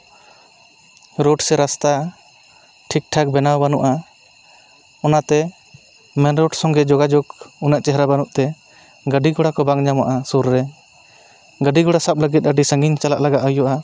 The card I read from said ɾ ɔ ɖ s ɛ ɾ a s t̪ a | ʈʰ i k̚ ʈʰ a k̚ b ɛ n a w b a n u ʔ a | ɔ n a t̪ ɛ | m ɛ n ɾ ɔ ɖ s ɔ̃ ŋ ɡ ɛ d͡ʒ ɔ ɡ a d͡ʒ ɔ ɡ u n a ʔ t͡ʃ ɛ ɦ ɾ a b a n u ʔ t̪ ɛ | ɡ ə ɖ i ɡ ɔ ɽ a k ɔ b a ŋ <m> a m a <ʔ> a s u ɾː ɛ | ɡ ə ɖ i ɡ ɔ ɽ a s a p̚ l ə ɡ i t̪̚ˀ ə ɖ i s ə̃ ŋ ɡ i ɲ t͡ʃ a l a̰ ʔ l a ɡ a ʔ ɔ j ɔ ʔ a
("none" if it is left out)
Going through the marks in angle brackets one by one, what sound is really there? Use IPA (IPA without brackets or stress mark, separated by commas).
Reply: ɲ, ʔ